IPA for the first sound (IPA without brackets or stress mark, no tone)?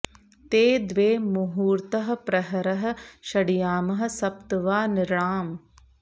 t̪